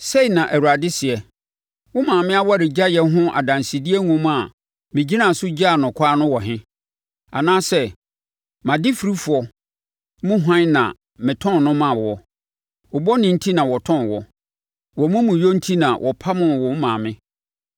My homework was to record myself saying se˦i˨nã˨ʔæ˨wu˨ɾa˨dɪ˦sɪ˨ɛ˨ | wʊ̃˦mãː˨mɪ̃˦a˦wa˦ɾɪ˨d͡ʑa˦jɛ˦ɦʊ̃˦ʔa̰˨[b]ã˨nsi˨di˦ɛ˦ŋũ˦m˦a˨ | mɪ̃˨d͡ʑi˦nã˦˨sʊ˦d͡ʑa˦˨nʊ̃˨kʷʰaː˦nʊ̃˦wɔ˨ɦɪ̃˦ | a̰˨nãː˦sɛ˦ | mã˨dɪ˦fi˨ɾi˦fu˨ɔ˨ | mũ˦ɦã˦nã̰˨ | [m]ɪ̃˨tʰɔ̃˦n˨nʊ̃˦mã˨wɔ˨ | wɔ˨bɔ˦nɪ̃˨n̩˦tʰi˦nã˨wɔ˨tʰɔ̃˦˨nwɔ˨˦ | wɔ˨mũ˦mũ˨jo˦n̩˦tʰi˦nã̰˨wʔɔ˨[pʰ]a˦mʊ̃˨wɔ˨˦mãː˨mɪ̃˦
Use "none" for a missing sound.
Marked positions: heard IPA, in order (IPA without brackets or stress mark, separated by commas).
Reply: d, m, pʰ